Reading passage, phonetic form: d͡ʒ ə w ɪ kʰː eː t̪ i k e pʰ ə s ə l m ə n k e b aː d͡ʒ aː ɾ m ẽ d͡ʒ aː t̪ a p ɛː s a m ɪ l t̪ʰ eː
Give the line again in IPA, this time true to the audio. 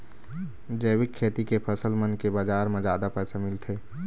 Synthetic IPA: d͡ʒ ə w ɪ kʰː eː t̪ i k e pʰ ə s ə l m ə n k e b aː d͡ʒ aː ɾ m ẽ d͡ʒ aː d̪ a p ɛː s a m ɪ l t̪ʰ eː

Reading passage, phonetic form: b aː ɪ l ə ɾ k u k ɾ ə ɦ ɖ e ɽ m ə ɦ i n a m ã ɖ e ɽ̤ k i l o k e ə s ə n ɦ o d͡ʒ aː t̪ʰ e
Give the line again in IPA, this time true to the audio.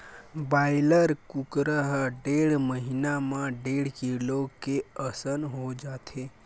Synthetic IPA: b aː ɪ l ə ɾ k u k ɾ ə ɦ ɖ e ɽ m ə ɦ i n a m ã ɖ e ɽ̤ k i l o k e ə s ə n ɦ o d͡ʒ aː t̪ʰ e

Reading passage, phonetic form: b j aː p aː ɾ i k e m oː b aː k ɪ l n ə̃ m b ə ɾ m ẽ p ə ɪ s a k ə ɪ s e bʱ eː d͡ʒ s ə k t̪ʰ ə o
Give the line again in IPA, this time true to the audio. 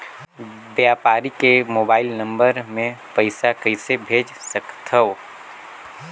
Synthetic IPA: b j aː p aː ɾ i k e m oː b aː ɪ l n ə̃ m b ə ɾ m ẽ p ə ɪ s a k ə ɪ s e bʱ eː d͡ʒ s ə k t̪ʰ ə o

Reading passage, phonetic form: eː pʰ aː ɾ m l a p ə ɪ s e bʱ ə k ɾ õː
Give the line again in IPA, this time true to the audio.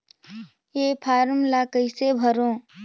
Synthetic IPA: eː pʰ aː ɾ m l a k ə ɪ s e bʱ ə ɾ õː

